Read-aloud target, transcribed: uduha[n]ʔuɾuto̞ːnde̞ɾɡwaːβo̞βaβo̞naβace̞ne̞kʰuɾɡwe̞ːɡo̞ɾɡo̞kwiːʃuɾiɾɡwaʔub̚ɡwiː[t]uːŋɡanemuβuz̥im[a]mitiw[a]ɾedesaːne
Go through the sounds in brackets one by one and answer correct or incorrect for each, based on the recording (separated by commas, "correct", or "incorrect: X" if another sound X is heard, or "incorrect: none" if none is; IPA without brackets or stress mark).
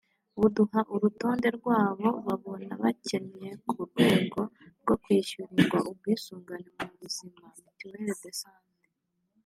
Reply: incorrect: none, incorrect: s, correct, incorrect: e